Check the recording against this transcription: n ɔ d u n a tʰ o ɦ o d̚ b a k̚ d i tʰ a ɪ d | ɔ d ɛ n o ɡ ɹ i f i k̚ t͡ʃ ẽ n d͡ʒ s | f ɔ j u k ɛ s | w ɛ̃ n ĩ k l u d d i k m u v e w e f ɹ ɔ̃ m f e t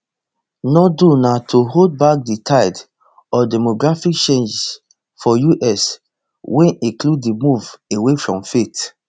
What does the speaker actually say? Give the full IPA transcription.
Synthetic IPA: n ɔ d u n a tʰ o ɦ o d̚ b a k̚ d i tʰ a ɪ d | ɔ d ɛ m o ɡ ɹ a f i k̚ t͡ʃ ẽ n d͡ʒ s | f ɔ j u ʔ ɛ s | w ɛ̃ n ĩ k l u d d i m u v e w e f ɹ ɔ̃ m f e t